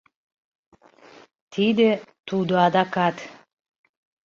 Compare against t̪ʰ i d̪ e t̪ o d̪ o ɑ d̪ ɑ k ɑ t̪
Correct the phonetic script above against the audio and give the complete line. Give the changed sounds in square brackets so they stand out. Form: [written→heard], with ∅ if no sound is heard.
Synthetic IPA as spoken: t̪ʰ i d̪ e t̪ [o→u] d̪ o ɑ d̪ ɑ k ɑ t̪